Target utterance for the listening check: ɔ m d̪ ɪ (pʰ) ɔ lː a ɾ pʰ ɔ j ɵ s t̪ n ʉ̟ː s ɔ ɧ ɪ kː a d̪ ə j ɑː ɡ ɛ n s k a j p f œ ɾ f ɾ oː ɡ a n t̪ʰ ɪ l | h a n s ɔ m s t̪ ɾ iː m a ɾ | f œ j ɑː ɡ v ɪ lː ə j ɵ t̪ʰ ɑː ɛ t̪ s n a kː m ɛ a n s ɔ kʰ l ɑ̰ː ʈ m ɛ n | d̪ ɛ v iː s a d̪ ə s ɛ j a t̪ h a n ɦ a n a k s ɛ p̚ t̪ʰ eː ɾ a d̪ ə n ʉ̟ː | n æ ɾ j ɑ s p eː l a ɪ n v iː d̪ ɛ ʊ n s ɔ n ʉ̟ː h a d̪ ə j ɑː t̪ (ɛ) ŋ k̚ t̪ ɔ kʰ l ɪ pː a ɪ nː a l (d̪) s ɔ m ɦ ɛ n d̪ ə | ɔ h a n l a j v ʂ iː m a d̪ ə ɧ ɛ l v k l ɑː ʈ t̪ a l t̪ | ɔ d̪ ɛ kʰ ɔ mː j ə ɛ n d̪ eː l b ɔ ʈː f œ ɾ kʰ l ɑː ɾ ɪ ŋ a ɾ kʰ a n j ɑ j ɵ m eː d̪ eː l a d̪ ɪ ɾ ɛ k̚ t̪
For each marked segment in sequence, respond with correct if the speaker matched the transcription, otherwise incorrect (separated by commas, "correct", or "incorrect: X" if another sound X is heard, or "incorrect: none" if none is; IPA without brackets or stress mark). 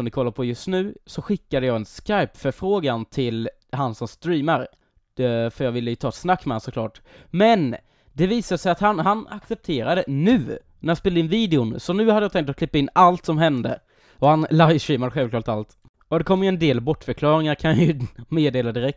incorrect: kʰ, correct, incorrect: t̪